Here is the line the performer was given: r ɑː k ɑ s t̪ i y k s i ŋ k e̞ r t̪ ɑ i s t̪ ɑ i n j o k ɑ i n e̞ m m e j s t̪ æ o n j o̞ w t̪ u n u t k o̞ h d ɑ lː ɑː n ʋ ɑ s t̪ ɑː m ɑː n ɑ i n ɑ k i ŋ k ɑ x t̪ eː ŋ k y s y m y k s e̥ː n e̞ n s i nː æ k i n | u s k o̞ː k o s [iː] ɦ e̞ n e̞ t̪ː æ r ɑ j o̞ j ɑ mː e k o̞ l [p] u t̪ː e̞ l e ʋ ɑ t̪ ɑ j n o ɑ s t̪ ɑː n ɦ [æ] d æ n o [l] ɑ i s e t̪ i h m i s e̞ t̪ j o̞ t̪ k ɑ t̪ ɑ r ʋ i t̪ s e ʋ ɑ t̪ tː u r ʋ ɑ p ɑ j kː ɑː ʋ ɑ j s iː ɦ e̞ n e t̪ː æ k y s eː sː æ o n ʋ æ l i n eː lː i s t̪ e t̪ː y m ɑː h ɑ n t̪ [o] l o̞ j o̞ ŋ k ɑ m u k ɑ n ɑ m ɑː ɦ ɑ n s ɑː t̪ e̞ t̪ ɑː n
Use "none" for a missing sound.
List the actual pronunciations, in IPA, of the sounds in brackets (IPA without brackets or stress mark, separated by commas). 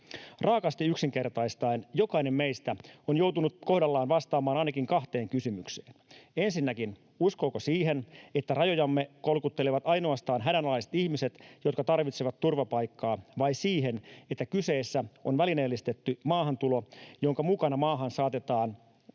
iː, k, æ, l, u